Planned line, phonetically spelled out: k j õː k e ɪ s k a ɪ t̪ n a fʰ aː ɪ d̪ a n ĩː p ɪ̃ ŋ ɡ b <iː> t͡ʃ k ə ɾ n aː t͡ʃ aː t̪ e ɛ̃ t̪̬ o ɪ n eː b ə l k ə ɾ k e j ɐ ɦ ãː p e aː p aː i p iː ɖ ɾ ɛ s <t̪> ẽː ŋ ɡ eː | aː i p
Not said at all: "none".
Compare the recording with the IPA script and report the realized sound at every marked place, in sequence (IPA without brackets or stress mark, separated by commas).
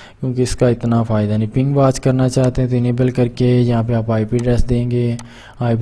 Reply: aː, d̪